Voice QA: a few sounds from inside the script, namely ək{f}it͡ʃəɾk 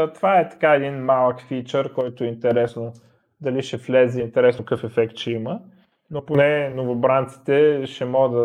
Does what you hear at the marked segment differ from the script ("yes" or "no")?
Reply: no